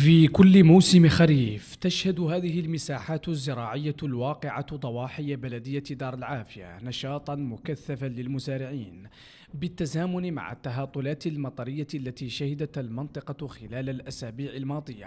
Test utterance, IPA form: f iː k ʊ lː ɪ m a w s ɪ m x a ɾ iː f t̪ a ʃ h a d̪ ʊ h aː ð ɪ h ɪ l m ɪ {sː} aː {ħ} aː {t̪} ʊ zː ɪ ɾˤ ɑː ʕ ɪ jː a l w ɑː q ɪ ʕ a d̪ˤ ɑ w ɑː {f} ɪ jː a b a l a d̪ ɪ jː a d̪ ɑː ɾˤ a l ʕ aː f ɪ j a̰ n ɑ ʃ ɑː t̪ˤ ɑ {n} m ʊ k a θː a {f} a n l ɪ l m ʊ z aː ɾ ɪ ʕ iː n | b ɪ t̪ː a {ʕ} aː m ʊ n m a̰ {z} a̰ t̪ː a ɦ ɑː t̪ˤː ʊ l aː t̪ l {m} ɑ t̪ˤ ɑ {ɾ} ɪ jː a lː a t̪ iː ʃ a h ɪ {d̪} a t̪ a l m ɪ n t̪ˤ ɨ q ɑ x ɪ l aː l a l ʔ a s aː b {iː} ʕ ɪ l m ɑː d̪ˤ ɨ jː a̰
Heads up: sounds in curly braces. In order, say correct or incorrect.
incorrect: s, correct, correct, incorrect: ħ, correct, correct, incorrect: z, incorrect: ʕ, correct, correct, correct, correct

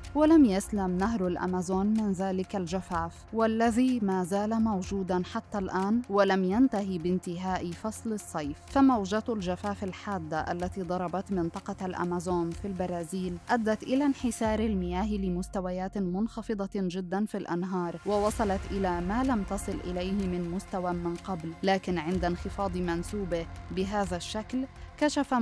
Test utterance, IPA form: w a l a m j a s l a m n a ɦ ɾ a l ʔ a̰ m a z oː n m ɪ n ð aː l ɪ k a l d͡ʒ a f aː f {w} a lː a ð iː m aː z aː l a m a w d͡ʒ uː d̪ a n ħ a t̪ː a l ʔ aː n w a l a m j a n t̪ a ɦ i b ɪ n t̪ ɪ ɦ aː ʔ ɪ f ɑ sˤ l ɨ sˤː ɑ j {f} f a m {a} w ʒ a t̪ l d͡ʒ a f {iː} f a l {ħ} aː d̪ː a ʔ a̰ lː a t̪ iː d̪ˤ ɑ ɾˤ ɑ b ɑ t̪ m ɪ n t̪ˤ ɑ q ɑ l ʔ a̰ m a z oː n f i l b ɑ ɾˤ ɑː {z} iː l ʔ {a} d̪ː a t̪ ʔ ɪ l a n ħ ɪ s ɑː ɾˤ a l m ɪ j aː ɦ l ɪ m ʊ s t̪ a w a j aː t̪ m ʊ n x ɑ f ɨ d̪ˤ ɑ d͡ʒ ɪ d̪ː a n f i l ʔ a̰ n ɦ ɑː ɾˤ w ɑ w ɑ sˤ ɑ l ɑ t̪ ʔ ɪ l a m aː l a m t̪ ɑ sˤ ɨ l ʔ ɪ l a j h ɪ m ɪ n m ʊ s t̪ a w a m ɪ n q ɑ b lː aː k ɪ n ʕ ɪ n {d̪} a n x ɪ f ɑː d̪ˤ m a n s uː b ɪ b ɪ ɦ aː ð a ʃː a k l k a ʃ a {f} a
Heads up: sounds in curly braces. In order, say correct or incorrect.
correct, correct, correct, incorrect: aː, correct, correct, correct, correct, correct

